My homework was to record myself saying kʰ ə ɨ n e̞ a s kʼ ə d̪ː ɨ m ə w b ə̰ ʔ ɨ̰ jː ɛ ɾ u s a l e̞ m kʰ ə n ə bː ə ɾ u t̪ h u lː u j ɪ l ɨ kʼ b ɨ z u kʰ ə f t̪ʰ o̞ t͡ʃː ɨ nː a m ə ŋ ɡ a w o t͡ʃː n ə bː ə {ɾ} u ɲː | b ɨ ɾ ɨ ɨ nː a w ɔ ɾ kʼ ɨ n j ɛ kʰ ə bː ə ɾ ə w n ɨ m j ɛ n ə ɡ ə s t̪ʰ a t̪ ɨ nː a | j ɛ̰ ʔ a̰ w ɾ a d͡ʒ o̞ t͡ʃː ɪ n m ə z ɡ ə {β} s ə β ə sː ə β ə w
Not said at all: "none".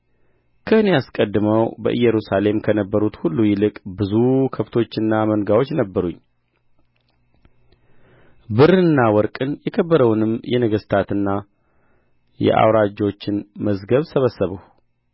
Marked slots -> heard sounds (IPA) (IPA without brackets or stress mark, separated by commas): ɾ, β